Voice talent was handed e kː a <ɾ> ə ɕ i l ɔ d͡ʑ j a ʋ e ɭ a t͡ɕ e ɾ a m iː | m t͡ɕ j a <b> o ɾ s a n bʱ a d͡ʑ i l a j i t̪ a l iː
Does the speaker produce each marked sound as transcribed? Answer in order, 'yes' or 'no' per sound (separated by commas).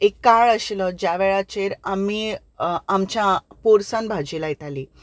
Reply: no, no